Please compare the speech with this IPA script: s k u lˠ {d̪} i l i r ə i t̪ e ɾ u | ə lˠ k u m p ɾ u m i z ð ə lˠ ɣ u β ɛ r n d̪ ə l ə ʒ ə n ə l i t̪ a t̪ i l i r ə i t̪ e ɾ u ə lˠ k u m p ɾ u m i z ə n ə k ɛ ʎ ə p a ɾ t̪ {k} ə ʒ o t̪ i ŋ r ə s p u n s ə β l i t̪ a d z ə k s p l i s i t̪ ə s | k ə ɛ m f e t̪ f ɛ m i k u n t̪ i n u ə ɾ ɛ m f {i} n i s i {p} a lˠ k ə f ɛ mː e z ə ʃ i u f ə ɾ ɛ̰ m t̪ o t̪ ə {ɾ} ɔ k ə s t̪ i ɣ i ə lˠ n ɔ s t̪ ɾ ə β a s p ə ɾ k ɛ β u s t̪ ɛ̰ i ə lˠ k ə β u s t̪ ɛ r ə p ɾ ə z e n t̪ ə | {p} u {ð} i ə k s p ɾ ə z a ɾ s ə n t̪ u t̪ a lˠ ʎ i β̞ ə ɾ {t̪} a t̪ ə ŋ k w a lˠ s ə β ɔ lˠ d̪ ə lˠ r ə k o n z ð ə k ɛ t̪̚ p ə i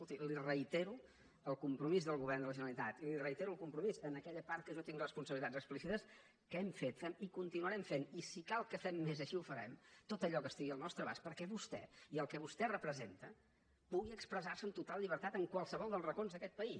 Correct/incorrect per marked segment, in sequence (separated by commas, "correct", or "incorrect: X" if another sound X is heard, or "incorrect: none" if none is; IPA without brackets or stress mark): incorrect: t̪, correct, incorrect: e, incorrect: k, incorrect: ʎ, correct, incorrect: ɣ, correct